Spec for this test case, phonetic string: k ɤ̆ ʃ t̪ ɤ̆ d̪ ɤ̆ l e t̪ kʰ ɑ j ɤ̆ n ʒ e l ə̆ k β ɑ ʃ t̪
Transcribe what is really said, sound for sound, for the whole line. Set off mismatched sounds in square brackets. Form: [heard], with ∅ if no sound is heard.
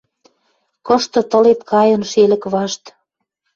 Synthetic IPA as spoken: k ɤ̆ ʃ t̪ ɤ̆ [t̪] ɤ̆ l e t̪ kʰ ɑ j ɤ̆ n [ʃ] e l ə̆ k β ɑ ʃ t̪